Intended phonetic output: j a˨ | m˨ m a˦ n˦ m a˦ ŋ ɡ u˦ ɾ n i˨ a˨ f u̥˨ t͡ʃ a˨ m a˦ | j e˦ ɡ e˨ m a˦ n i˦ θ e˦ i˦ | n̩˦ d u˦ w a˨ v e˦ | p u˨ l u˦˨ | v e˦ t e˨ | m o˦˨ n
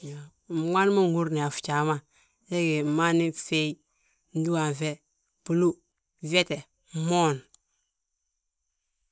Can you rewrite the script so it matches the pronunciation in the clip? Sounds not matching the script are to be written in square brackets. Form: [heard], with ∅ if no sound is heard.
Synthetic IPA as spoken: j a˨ | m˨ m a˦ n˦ m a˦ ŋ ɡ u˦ ɾ n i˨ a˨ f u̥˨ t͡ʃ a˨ m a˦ | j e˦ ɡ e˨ m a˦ n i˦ [f] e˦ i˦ | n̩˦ d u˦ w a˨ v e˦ | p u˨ l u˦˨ | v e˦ t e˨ | m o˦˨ n